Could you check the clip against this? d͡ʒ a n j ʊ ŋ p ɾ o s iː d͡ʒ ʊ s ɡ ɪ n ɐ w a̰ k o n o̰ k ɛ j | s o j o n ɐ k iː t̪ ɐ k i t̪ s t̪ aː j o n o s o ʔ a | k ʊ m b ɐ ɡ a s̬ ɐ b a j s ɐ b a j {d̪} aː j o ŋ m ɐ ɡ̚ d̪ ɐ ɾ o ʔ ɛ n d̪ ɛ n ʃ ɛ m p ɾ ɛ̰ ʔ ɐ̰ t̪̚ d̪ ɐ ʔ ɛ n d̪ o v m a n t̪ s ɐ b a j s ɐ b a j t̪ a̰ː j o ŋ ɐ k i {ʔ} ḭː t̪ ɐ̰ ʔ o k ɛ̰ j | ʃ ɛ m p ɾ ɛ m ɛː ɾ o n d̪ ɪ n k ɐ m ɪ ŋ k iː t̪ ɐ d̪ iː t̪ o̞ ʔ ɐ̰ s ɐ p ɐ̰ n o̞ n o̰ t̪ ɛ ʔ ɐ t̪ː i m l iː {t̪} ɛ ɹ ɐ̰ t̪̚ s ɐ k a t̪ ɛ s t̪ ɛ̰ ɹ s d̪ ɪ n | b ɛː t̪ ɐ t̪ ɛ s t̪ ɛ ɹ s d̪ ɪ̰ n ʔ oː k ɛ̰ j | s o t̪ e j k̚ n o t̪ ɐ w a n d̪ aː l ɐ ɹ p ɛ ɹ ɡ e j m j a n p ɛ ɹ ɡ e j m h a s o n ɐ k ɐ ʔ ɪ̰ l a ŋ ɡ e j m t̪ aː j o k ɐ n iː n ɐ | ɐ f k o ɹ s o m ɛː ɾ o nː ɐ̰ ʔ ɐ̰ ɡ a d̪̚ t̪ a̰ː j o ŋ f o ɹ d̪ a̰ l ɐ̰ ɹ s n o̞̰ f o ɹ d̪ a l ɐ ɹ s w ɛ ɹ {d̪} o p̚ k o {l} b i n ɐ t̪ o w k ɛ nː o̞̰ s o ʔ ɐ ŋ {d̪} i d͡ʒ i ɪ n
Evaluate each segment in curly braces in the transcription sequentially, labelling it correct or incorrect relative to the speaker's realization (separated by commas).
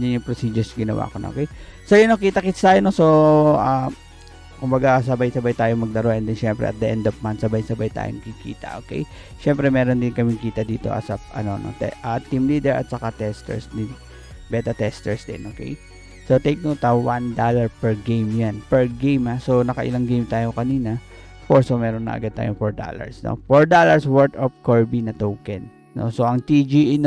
incorrect, incorrect, incorrect, incorrect, incorrect, incorrect